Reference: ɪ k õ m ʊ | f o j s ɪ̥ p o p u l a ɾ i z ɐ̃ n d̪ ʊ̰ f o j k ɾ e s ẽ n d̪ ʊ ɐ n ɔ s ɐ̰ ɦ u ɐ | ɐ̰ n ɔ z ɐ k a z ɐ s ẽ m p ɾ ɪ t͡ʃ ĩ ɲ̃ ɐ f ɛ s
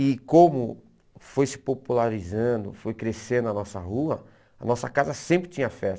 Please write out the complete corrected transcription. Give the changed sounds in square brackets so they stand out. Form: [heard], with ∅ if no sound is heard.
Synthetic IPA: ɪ k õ m ʊ | f o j s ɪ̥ p o p u l a ɾ i z ɐ̃ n d̪ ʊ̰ f o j k ɾ e s ẽ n d̪ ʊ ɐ n ɔ s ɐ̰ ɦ u ɐ | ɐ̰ n ɔ [s] ɐ k a z ɐ s ẽ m p ɾ ɪ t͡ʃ ĩ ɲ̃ ɐ f ɛ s